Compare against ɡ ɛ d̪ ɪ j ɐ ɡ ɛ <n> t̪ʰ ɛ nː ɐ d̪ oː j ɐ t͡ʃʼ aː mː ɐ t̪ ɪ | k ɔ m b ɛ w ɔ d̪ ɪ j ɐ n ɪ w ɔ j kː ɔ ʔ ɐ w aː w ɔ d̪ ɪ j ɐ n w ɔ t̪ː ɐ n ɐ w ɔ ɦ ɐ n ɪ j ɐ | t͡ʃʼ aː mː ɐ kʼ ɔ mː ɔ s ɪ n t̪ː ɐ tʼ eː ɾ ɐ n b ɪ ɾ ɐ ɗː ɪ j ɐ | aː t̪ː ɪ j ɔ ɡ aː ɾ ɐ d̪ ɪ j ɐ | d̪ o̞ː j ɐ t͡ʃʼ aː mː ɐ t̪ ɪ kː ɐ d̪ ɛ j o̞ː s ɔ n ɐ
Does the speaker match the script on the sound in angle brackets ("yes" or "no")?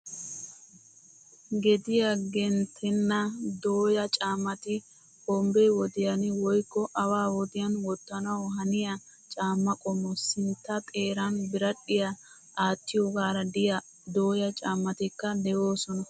yes